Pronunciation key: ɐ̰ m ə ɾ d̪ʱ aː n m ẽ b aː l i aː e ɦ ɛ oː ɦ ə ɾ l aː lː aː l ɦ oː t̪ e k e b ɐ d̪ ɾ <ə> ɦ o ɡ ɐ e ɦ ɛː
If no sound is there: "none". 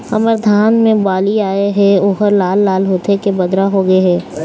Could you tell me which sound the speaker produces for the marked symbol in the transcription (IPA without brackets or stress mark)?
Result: a